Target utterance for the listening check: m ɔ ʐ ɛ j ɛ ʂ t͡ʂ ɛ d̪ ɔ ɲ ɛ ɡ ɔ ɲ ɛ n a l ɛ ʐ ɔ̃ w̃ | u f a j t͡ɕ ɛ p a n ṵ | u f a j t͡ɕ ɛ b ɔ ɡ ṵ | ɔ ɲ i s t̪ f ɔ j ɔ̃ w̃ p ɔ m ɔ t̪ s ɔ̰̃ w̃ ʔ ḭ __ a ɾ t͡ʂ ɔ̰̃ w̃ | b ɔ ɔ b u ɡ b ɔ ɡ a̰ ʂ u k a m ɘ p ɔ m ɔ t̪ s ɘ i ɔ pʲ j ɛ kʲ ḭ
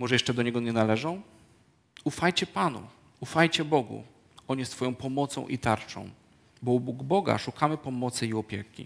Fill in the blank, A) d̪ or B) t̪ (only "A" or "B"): B